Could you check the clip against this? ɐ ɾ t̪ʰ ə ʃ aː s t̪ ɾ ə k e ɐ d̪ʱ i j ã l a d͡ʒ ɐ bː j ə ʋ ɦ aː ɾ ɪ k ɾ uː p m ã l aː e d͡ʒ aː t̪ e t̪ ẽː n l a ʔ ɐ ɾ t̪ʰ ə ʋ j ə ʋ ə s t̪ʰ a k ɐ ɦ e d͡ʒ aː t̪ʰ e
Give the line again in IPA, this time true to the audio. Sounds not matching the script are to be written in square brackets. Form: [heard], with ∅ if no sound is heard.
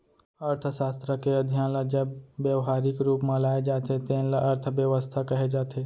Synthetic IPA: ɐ ɾ t̪ʰ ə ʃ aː s t̪ ɾ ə k e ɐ d̪ʱ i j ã l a d͡ʒ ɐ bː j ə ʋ ɦ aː ɾ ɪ k ɾ uː p m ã l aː e d͡ʒ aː t̪ e t̪ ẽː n l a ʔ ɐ ɾ t̪ʰ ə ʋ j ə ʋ ə s t̪ʰ a k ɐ ɦ e d͡ʒ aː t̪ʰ e